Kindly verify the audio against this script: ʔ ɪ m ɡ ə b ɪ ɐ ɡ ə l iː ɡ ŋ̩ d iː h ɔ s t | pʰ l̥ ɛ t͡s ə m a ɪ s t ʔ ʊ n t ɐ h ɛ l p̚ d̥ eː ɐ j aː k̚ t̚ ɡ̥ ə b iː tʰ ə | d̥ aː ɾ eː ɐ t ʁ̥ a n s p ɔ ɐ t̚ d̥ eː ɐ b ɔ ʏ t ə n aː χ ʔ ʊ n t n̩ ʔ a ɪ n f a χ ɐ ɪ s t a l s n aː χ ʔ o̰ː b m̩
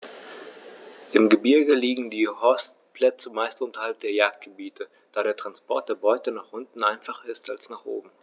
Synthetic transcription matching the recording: ʔ ɪ m ɡ ə b ɪ ɐ ɡ ə l iː ɡ ŋ̩ d iː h ɔ s t | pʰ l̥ ɛ t͡s ə m a ɪ s t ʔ ʊ n t ɐ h a l p̚ d̥ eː ɐ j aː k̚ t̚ ɡ̥ ə b iː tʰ ə | d̥ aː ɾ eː ɐ t ʁ̥ a n s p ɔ ɐ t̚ d̥ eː ɐ b ɔ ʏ t ə n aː χ ʔ ʊ n t n̩ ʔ a ɪ n f a χ ɐ ɪ s t a l s n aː χ ʔ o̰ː b m̩

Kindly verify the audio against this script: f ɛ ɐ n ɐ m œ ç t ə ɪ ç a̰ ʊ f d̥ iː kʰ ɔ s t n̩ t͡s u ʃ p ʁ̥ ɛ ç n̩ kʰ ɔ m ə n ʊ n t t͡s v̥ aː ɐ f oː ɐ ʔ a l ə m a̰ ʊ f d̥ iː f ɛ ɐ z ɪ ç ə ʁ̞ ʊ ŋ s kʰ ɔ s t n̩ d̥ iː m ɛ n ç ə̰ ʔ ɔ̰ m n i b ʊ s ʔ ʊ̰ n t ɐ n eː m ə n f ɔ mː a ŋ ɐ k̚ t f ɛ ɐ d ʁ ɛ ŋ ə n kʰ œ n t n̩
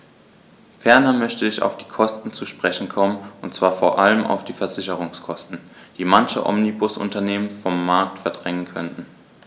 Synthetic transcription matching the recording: f ɛ ɐ n ɐ m œ ç t ə ɪ ç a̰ ʊ f d̥ iː kʰ ɔ s t n̩ t͡s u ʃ p ʁ̥ ɛ ç n̩ kʰ ɔ m ə n ʊ n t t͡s v̥ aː ɐ f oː ɐ ʔ a l ə m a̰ ʊ f d̥ iː f ɛ ɐ z ɪ ç ə ʁ̞ ʊ ŋ s kʰ ɔ s t n̩ d̥ iː m a n ç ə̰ ʔ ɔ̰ m n i b ʊ s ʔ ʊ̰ n t ɐ n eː m ə n f ɔ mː a ɐ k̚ t f ɛ ɐ d ʁ ɛ ŋ ə n kʰ œ n t n̩

